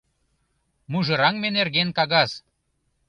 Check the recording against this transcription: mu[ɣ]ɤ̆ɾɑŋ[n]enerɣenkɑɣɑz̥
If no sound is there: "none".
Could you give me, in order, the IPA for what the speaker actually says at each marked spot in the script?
ʒ, m

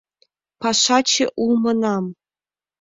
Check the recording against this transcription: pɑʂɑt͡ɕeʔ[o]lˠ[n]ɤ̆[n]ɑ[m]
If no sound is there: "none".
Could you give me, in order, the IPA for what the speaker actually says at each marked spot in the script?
u, m, n, m

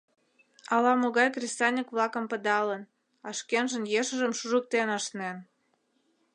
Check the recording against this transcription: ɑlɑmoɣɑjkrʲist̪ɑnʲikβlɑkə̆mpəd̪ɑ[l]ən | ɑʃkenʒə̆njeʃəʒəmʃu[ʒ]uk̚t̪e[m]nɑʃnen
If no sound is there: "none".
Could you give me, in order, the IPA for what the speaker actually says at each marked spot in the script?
l, ʒ, none

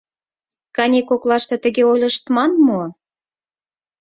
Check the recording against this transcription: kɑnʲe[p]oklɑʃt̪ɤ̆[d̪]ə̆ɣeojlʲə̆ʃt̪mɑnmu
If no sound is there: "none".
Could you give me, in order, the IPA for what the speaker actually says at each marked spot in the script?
k, t̪

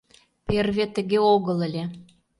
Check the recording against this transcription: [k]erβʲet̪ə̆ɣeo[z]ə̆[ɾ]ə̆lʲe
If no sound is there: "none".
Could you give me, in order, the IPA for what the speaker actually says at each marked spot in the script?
p, ɣ, l

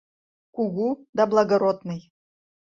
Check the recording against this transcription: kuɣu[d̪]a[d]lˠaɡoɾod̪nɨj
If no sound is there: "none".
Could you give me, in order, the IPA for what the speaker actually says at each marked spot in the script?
d̪, b

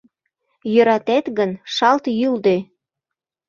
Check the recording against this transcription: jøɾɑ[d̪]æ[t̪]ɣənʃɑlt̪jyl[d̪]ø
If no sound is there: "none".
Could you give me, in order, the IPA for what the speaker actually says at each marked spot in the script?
t̪, t̪, d̪

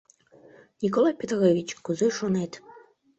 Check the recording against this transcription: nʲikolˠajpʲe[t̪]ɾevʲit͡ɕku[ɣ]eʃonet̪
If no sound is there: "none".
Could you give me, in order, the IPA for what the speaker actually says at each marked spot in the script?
t̪, z

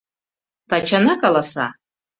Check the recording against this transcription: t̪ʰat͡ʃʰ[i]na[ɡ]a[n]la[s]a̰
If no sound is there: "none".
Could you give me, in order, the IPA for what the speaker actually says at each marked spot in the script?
a, k, none, s

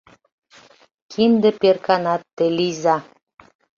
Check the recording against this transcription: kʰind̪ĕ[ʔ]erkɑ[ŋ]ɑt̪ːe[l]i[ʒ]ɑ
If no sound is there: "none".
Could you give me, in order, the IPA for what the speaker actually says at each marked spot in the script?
p, n, l, z

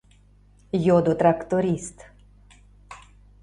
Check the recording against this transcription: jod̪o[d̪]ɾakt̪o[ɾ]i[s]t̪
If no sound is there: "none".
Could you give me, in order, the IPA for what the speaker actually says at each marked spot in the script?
t̪, ɾ, s

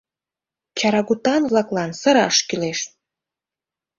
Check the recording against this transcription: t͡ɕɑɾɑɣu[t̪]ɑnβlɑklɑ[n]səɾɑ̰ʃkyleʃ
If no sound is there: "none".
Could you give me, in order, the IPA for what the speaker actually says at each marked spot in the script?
t̪, n

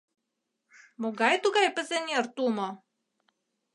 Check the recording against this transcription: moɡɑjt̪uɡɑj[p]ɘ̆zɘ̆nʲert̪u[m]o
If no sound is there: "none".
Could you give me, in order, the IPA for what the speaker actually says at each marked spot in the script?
p, m

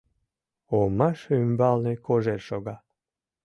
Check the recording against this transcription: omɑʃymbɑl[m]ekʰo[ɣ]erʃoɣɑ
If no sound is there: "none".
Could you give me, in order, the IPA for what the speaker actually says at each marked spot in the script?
n, ʒ

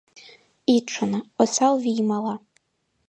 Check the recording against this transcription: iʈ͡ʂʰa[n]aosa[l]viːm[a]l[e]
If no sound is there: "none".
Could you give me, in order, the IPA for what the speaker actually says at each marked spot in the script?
n, l, a, a

